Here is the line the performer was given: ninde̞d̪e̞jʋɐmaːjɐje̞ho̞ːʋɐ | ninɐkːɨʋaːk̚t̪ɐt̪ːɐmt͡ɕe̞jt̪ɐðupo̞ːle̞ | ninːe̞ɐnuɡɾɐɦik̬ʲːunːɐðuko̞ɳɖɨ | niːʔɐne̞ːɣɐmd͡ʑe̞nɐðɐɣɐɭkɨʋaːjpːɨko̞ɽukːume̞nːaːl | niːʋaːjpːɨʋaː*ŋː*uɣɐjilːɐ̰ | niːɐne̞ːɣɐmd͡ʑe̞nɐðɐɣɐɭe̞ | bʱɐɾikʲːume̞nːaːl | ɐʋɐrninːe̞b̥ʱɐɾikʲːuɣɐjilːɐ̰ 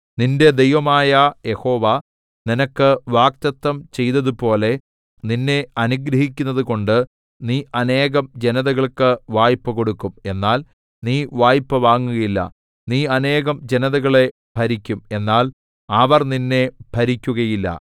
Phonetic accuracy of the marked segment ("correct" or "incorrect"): correct